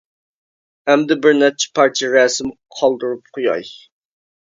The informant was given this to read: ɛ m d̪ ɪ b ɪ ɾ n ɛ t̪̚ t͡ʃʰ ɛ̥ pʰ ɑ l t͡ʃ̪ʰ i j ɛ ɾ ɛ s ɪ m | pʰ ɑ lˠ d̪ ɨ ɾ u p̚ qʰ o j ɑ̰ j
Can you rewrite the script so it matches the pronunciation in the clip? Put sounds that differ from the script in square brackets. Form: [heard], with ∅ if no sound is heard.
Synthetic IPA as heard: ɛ m d̪ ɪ b ɪ ɾ n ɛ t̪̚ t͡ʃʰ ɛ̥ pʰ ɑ [ɾ] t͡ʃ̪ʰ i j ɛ ɾ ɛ s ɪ m | [qʰ] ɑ lˠ d̪ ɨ ɾ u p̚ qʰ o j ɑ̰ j